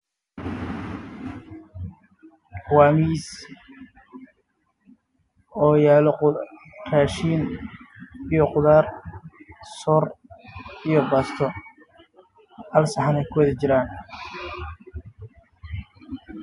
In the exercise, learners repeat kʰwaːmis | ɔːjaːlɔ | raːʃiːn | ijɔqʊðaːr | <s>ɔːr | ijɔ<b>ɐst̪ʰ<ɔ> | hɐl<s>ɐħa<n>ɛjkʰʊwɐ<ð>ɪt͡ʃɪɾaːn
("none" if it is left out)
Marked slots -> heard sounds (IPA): s, b, ɔ, s, n, ð

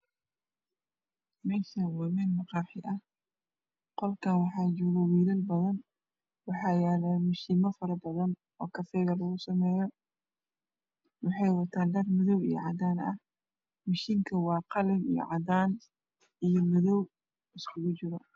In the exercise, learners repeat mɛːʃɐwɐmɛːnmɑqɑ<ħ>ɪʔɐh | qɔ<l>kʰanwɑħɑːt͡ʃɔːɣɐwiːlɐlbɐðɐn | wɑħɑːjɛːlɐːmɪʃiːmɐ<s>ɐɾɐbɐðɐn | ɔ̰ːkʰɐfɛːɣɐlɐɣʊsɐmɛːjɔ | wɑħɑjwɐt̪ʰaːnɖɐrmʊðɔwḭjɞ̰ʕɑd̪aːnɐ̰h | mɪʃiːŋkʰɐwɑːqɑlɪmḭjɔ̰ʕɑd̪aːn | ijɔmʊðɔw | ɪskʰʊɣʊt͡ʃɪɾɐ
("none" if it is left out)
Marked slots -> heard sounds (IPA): ħ, l, f

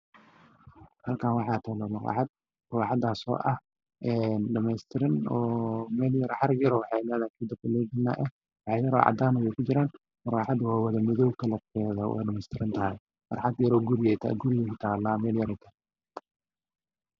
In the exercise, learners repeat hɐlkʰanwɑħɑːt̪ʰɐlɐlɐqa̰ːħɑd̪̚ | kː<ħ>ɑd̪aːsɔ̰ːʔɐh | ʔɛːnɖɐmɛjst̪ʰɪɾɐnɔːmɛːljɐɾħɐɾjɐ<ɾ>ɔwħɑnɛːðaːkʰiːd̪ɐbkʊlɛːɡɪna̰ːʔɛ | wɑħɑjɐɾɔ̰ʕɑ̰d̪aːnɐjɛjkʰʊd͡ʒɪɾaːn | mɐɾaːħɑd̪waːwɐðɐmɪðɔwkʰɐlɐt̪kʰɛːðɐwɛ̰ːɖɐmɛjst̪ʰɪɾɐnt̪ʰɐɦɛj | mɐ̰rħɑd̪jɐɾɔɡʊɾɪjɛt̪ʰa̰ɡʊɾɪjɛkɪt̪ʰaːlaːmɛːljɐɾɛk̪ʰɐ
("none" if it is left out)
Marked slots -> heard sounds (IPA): ħ, ɾ

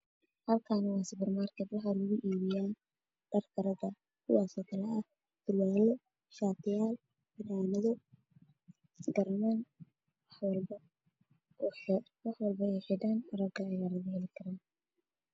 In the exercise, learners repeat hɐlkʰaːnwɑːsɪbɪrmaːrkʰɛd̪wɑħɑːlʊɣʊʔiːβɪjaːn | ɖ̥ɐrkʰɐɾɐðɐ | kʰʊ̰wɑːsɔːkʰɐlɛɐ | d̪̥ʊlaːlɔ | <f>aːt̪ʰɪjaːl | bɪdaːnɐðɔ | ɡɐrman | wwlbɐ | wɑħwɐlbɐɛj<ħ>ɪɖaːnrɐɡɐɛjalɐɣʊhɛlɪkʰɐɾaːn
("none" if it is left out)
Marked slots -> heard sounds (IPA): ʃ, ħ

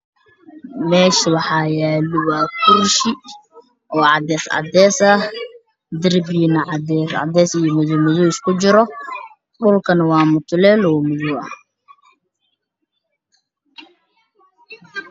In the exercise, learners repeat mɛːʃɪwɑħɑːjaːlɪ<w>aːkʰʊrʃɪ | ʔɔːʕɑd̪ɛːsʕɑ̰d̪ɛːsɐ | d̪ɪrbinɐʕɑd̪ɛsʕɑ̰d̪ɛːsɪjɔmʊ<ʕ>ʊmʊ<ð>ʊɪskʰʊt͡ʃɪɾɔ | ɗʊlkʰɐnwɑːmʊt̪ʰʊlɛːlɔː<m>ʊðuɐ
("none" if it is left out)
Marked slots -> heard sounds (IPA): w, ð, ð, m

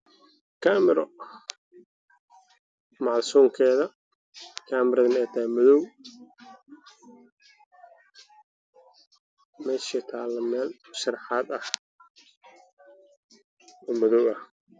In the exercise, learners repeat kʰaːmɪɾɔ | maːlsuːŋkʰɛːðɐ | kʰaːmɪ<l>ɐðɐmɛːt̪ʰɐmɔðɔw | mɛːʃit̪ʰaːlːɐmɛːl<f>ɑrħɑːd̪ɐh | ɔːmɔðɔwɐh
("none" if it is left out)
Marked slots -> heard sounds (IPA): ɾ, ʃ

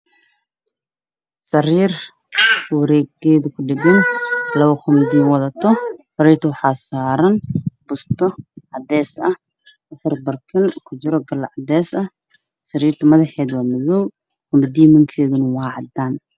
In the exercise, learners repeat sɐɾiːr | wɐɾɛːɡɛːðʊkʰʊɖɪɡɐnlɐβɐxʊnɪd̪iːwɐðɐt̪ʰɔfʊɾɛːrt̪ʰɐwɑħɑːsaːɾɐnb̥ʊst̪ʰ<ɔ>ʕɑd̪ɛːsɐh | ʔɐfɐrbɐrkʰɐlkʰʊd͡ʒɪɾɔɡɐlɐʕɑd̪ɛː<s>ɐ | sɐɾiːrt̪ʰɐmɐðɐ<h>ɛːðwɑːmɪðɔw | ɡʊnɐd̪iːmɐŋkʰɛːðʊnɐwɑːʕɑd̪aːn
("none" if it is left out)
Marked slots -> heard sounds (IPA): ɔ, s, ħ

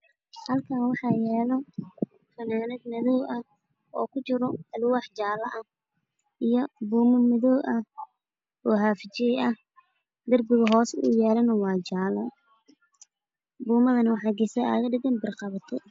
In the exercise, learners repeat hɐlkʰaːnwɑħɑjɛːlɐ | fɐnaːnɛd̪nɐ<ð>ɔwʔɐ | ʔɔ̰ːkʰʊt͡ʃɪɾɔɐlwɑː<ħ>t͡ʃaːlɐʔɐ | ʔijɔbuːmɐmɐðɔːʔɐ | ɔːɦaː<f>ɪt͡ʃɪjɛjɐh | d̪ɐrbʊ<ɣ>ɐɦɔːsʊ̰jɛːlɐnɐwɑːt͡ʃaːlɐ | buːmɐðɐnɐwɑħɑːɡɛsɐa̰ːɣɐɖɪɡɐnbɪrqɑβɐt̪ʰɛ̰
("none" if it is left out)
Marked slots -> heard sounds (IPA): ð, ħ, f, ɣ

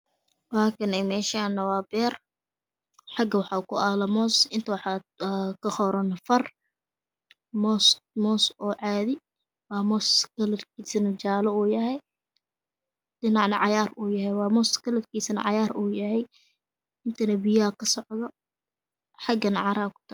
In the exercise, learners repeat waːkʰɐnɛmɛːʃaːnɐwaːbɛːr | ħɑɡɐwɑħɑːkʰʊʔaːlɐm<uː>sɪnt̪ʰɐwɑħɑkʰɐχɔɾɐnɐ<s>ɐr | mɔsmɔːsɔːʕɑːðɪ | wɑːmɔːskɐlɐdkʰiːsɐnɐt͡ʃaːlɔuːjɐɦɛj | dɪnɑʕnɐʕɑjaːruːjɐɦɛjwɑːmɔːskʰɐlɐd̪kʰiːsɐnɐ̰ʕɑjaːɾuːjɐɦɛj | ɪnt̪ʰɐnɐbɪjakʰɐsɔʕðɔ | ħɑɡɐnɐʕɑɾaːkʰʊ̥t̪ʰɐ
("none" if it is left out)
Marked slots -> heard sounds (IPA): ɔː, f

